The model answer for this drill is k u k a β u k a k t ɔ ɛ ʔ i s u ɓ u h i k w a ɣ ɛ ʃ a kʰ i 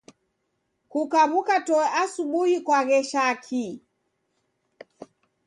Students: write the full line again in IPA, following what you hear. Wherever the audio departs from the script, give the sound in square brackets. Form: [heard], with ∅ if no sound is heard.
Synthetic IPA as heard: k u k a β u k a [∅] t ɔ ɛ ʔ [a] s u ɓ u h i k w a ɣ ɛ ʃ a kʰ i